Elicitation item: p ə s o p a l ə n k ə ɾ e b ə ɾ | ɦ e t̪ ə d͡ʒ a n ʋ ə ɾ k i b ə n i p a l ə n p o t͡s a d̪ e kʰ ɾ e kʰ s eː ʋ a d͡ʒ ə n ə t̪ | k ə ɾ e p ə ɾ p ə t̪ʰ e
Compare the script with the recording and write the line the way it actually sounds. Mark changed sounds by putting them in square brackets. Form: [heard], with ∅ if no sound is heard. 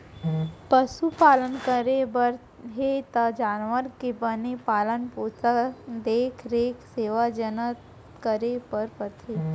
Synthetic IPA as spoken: p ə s [u] p a l ə n k ə ɾ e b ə ɾ | ɦ e t̪ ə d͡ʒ a n ʋ ə ɾ k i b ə n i p a l ə n p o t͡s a d̪ e kʰ ɾ e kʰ s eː ʋ a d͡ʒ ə n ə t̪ | k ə ɾ e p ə ɾ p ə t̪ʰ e

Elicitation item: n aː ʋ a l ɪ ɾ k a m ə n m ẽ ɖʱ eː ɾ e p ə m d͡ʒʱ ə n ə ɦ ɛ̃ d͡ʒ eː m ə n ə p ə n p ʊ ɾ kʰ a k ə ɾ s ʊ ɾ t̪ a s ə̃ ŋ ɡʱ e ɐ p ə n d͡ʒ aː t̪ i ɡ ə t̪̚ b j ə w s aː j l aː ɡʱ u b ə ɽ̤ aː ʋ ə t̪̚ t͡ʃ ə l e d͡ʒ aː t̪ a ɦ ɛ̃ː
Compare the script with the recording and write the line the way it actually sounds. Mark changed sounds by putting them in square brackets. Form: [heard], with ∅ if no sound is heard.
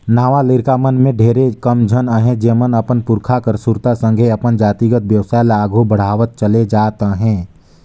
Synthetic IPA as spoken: n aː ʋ a l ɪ ɾ k a m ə n m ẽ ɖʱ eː ɾ e [k] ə m d͡ʒʱ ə n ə ɦ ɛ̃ d͡ʒ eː m ə n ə p ə n p ʊ ɾ kʰ a k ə ɾ s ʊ ɾ t̪ a s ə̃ ŋ ɡʱ e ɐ p ə n d͡ʒ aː t̪ i ɡ ə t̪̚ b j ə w s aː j l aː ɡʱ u b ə ɽ̤ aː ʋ ə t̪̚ t͡ʃ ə l e d͡ʒ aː t̪ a ɦ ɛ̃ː

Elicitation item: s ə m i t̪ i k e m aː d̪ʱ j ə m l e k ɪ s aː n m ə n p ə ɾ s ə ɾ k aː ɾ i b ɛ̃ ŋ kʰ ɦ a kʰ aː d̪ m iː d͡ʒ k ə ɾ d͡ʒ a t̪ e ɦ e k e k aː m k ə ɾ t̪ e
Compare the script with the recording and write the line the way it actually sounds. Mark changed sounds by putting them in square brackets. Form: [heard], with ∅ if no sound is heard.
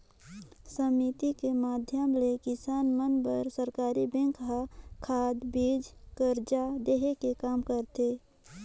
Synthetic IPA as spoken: s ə m i t̪ i k e m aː d̪ʱ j ə m l e k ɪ s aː n m ə n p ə ɾ s ə ɾ k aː ɾ i b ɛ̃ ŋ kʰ ɦ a kʰ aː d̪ [b] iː d͡ʒ k ə ɾ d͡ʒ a [d̪] e ɦ e k e k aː m k ə ɾ t̪ e

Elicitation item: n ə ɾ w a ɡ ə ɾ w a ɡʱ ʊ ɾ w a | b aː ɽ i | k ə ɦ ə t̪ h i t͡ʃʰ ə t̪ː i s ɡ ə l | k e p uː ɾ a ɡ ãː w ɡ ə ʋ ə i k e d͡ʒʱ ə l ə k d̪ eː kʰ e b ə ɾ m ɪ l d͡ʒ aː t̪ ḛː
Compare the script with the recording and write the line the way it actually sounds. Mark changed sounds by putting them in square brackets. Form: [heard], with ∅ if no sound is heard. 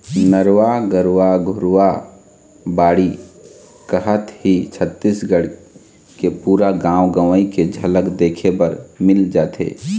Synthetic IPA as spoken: n ə ɾ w a ɡ ə ɾ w a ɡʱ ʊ ɾ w a | b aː ɽ i | k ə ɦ ə t̪ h i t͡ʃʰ ə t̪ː i s ɡ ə [ɽ] | k e p uː ɾ a ɡ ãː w ɡ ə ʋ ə i k e d͡ʒʱ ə l ə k d̪ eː kʰ e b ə ɾ m ɪ l d͡ʒ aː t̪ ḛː

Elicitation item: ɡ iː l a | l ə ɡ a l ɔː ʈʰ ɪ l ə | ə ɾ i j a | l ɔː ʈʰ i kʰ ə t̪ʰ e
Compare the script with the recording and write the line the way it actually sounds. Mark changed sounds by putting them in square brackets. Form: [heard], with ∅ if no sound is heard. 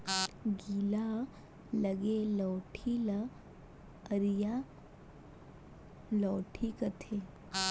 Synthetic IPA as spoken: ɡ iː l a | l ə ɡ [e] l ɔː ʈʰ [i] l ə | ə ɾ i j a | l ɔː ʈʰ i [k] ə t̪ʰ e

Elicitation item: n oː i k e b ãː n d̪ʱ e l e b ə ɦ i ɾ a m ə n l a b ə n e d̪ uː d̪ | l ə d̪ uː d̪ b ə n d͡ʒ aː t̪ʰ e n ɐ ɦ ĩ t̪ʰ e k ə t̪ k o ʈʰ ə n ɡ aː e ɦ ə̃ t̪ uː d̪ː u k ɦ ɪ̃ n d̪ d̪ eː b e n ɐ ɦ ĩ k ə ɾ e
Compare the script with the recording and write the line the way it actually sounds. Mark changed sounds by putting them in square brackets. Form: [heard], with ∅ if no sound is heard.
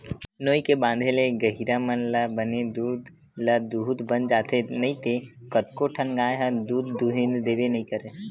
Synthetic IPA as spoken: n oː i k e b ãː n d̪ʱ e l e [ɡ] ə ɦ i ɾ a m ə n l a b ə n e d̪ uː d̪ | l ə d̪ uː d̪ b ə n d͡ʒ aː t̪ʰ e n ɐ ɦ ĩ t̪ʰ e k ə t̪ k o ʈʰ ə n ɡ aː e ɦ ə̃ [d̪] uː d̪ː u [∅] ɦ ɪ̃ n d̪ d̪ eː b e n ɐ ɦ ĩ k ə ɾ e

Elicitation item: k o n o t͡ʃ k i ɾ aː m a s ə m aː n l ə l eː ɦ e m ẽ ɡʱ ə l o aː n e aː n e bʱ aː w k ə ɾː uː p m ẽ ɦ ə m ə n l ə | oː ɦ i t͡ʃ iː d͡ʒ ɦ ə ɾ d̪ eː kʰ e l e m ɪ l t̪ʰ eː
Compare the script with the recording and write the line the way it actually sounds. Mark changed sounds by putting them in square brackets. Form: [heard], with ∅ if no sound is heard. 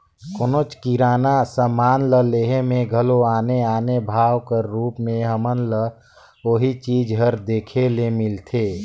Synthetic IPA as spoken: k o n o t͡ʃ k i ɾ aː [n] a s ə m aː n l ə l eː ɦ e m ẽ ɡʱ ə l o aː n e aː n e bʱ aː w k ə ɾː uː p m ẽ ɦ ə m ə n l ə | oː ɦ i t͡ʃ iː d͡ʒ ɦ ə ɾ d̪ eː kʰ e l e m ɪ l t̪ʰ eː

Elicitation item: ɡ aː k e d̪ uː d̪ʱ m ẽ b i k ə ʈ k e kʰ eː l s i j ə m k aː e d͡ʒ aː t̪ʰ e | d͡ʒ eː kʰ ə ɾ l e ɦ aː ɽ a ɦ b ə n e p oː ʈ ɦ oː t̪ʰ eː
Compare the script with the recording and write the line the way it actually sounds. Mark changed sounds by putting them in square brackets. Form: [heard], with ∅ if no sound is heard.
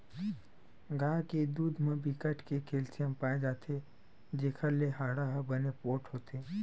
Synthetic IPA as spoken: ɡ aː k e d̪ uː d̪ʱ m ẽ b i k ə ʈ k e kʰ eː l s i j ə m [p] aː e d͡ʒ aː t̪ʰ e | d͡ʒ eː kʰ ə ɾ l e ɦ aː ɽ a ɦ b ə n e p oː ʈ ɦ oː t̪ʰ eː

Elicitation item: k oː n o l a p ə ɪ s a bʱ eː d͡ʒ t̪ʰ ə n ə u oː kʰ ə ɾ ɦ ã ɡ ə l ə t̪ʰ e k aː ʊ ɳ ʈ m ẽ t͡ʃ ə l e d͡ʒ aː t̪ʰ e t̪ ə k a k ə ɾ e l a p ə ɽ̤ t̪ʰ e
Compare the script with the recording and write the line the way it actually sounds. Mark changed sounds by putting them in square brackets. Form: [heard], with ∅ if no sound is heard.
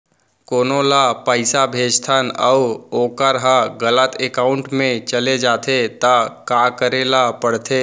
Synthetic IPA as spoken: k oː n o l a p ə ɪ s a bʱ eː d͡ʒ t̪ʰ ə n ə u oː [k] ə ɾ ɦ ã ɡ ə l ə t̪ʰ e k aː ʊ ɳ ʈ m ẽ t͡ʃ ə l e d͡ʒ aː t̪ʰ e t̪ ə k a k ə ɾ e l a p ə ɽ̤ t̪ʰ e

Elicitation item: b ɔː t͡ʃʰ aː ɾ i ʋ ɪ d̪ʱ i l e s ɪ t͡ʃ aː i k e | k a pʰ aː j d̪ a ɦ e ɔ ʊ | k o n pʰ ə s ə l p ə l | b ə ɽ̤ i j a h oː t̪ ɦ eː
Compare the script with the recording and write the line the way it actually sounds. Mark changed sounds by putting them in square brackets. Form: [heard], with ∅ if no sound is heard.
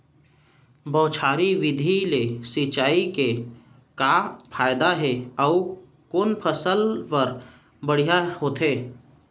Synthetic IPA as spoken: b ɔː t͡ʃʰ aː ɾ i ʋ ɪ d̪ʱ i l e s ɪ t͡ʃ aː i k e | k a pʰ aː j d̪ a ɦ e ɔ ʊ | k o n pʰ ə s ə l p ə [ɾ] | b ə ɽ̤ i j a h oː t̪ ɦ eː

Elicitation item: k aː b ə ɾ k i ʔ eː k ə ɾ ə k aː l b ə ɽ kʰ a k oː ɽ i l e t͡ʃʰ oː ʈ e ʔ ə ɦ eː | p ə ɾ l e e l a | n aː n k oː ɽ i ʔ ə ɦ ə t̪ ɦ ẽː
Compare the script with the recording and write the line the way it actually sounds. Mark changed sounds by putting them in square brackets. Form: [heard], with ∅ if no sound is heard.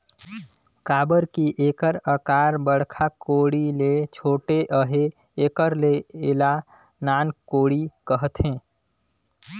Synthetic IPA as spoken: k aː b ə ɾ k i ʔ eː k ə ɾ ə k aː [ɾ] b ə ɽ kʰ a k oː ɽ i l e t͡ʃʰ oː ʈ e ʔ ə ɦ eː | [k] ə ɾ l e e l a | n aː n k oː ɽ i [k] ə ɦ ə t̪ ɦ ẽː

